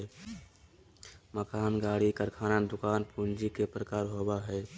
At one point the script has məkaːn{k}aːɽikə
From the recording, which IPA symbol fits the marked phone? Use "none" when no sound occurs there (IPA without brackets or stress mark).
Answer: ɡ